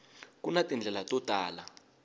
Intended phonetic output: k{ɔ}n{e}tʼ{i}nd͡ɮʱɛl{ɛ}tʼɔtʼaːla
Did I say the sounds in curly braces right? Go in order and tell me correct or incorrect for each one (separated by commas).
incorrect, incorrect, correct, incorrect